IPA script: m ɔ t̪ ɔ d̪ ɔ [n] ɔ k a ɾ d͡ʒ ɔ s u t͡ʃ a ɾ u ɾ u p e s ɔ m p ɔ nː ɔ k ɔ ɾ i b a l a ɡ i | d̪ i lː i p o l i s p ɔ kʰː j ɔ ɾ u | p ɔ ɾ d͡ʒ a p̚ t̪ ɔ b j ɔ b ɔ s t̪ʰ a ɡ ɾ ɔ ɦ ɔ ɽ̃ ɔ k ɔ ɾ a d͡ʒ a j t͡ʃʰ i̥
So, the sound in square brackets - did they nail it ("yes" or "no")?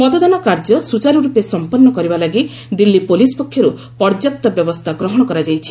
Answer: yes